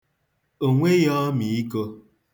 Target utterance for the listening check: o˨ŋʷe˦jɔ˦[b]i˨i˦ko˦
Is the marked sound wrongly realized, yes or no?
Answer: yes